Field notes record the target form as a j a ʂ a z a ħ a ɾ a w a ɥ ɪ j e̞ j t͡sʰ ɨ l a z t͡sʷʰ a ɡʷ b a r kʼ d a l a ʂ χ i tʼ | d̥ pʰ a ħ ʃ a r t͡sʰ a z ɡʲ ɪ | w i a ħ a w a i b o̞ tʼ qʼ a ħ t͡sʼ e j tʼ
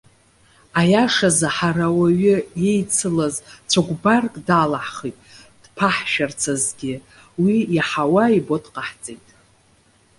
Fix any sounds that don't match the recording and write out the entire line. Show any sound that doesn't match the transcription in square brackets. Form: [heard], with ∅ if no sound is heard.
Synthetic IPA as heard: a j a ʂ a z a ħ a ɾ a w a ɥ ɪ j e̞ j t͡sʰ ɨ l a z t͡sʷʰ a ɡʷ b a r kʼ d a l a [ħ] χ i tʼ | d̥ pʰ a ħ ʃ a r t͡sʰ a z ɡʲ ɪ | w i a ħ a w a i b o̞ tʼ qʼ a ħ t͡sʼ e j tʼ